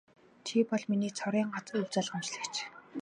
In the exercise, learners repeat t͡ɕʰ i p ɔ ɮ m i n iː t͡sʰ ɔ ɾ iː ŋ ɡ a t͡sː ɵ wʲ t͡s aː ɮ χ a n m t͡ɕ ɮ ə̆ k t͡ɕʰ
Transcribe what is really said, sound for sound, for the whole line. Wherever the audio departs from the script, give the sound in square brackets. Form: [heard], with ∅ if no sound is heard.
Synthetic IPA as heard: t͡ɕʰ i p ɔ ɮ m i n iː t͡sʰ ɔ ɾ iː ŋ [ɢ] a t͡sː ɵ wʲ t͡s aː ɮ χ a [∅] m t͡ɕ ɮ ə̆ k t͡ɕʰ